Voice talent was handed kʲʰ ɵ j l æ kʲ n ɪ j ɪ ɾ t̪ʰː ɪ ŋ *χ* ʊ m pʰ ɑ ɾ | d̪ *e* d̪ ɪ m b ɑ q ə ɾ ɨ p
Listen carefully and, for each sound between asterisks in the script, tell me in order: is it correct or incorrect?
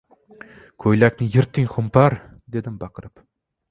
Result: correct, correct

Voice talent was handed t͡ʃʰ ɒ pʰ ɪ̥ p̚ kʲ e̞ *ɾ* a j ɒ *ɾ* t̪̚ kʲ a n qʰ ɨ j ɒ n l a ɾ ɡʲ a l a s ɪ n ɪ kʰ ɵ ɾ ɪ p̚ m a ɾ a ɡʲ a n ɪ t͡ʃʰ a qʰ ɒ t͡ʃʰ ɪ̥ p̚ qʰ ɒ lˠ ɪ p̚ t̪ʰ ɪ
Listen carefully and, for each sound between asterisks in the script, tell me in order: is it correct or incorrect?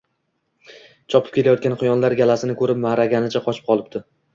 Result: incorrect, incorrect

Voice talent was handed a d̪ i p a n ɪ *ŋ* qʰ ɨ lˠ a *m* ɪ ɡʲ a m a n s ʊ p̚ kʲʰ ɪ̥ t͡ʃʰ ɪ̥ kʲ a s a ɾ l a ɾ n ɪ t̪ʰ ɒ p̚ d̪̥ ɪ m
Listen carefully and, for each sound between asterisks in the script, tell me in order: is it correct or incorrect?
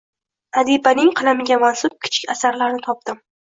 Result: correct, correct

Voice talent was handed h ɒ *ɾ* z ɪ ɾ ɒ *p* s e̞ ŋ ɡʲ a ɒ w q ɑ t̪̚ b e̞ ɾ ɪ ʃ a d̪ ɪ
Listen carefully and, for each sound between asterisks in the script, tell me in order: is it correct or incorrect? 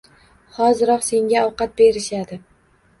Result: incorrect, incorrect

